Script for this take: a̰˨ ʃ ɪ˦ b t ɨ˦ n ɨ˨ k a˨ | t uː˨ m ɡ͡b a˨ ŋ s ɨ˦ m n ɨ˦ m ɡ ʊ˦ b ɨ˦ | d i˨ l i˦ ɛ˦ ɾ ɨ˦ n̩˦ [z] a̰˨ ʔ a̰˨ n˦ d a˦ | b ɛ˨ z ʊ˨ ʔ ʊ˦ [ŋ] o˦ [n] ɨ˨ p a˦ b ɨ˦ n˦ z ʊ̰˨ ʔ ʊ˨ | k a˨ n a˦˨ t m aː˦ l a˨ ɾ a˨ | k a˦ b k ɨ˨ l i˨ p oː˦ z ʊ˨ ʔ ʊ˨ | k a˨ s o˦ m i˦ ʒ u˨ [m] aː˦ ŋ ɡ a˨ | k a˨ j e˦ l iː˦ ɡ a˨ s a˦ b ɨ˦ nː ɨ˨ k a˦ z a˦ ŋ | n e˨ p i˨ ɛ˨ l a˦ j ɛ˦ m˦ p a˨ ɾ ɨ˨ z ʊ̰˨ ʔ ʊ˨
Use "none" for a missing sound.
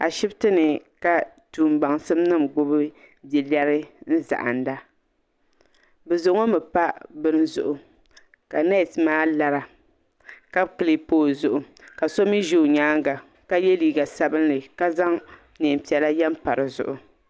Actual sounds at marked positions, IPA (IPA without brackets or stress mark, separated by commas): z, ŋ, m, ɲ